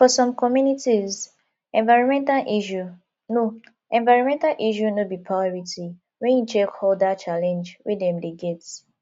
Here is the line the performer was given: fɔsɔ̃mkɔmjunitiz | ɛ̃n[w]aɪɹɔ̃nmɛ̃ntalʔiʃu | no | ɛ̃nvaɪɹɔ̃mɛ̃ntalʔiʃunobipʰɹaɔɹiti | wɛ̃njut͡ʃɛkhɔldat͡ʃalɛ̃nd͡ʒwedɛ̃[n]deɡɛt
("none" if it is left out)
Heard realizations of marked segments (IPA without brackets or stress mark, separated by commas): v, m